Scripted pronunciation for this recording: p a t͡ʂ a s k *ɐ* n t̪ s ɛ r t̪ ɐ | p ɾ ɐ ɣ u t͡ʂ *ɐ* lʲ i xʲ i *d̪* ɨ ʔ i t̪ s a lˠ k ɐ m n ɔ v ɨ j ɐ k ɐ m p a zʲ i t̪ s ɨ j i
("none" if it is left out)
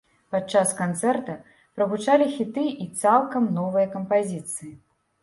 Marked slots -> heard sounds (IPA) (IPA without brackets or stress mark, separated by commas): a, a, t̪